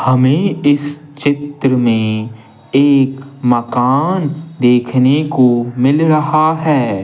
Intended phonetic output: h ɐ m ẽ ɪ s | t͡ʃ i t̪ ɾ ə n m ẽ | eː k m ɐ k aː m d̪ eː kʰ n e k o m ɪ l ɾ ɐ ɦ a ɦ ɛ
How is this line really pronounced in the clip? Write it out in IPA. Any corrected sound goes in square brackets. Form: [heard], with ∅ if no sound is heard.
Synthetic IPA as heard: h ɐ m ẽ ɪ s | t͡ʃ [ɪ] t̪ ɾ ə [∅] m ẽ | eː k m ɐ k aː [n] d̪ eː kʰ n e k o m ɪ l ɾ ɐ ɦ a ɦ [ɛː]

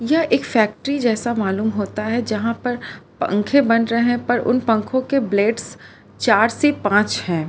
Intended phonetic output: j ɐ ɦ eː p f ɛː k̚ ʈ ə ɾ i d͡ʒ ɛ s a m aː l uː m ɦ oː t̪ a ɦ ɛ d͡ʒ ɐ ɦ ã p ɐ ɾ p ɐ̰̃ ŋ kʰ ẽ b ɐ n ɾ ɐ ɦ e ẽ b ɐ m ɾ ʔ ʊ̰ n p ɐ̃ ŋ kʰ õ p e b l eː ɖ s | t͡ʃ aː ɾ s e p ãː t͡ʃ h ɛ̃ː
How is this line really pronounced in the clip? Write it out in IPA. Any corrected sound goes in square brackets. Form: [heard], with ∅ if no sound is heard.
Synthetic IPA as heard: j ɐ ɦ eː [k] f ɛː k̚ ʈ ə ɾ i d͡ʒ [ɛː] s a m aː l uː m ɦ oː t̪ a ɦ ɛ d͡ʒ ɐ ɦ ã p ɐ ɾ p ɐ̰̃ ŋ kʰ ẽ b ɐ n ɾ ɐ ɦ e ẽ [p] ɐ [∅] ɾ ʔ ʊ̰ n p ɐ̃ ŋ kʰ õ [k] e b l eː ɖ s | t͡ʃ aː ɾ s e p ãː t͡ʃ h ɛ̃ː

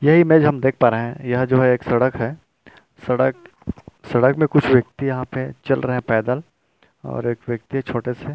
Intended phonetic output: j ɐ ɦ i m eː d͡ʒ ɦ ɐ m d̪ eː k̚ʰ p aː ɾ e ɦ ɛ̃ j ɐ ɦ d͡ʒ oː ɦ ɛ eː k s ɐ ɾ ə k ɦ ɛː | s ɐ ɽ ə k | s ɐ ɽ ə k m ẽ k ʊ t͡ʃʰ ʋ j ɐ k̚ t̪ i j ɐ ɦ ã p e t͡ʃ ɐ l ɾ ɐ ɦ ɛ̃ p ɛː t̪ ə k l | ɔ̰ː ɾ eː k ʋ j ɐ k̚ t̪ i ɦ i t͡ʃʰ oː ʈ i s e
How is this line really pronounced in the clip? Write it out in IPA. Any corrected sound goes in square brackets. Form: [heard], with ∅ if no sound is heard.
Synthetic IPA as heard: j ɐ ɦ i m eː d͡ʒ ɦ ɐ m d̪ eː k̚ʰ p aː ɾ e ɦ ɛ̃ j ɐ ɦ d͡ʒ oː ɦ ɛ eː k s ɐ [ɽ] ə k ɦ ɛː | s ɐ ɽ ə k | s ɐ ɽ ə k m ẽ k ʊ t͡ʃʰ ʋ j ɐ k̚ t̪ i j ɐ ɦ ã p e t͡ʃ ɐ l ɾ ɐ ɦ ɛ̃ p ɛː [d̪] ə [∅] l | ɔ̰ː ɾ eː k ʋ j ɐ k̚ t̪ i ɦ [ɛ] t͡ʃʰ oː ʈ [e] s e

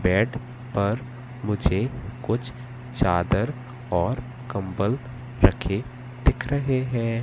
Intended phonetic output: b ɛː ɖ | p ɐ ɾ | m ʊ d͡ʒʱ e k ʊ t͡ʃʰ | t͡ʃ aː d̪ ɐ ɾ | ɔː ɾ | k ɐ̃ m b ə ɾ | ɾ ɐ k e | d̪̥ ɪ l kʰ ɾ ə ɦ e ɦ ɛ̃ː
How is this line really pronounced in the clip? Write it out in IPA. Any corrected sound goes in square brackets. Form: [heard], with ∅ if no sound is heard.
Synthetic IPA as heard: b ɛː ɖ | p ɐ ɾ | m ʊ d͡ʒʱ e k ʊ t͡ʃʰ | t͡ʃ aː d̪ [ə] ɾ | ɔː ɾ | k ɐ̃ m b ə [l] | ɾ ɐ [kʰ] e | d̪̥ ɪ [∅] kʰ ɾ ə ɦ e ɦ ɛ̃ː

